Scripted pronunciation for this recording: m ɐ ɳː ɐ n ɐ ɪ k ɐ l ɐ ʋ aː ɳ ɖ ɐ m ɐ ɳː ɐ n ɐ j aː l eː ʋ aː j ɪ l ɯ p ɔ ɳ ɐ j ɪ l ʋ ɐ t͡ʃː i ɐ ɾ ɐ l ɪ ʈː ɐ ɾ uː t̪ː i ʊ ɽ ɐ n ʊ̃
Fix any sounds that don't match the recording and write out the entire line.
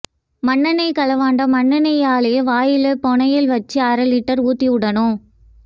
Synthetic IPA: m ɐ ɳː ɐ n ɐ ɪ k ɐ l ɐ ʋ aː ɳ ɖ ɐ m ɐ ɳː ɐ n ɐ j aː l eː ʋ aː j ɪ l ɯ p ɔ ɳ ɐ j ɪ l ʋ ɐ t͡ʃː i ɐ ɾ ɐ l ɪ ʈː ɐ ɾ uː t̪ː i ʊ ɽ ɐ n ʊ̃